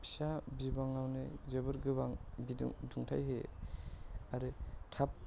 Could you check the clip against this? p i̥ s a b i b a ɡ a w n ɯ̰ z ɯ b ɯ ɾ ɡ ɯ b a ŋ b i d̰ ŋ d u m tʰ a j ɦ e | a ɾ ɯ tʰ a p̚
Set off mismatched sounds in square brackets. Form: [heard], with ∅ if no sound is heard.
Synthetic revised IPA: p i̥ s a b i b a [ŋ] a w n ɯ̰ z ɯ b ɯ ɾ ɡ ɯ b a ŋ b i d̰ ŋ d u [ŋ] tʰ a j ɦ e | a ɾ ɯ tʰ a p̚

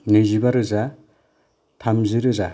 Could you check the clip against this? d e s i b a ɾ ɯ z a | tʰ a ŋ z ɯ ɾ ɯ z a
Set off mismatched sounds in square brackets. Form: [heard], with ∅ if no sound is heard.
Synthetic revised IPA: [n] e [z] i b a ɾ ɯ z a | tʰ a [m] z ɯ ɾ ɯ z a

